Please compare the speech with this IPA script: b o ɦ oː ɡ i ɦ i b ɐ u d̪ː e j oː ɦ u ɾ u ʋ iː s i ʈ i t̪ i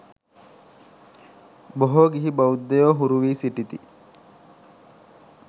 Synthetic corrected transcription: b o ɦ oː ɡ i ɦ i b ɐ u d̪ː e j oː ɦ u ɾ u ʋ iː s i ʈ i t̪ i